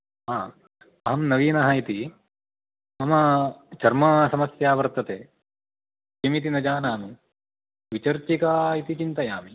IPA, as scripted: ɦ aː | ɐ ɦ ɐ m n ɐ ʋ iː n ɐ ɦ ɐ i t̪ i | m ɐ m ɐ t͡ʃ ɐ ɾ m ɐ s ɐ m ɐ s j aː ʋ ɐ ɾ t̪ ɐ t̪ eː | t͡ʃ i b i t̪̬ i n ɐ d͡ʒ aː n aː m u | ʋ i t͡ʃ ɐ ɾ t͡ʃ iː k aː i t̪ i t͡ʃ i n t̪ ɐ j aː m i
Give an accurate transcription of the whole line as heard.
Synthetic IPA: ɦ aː | ɐ ɦ ɐ m n ɐ ʋ iː n ɐ ɦ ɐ i t̪ i | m ɐ m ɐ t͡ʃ ɐ ɾ m ɐ s ɐ m ɐ s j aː ʋ ɐ ɾ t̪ ɐ t̪ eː | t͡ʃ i m i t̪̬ i n ɐ d͡ʒ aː n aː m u | ʋ i t͡ʃ ɐ ɾ t͡ʃ i k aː i t̪ i t͡ʃ i n t̪ ɐ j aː m i